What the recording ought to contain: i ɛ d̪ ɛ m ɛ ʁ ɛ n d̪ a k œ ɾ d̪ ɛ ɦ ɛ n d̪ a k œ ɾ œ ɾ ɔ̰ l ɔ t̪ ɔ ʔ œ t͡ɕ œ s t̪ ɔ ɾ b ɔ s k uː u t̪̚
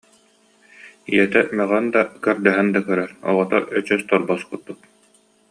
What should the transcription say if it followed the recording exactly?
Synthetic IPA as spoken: i ɛ t̪ ɛ m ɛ ʁ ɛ n d̪ a k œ ɾ d̪ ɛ ɦ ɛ n d̪ a k œ ɾ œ ɾ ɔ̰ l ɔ t̪ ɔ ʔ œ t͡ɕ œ s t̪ ɔ ɾ b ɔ s k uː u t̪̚